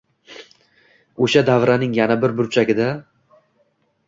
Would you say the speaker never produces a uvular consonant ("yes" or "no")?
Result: yes